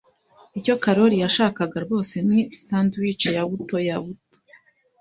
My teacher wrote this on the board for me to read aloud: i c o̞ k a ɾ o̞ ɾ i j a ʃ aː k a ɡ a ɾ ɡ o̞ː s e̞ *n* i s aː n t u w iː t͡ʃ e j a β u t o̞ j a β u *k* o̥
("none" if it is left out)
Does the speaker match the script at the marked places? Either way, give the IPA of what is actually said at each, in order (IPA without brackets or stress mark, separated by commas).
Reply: n, t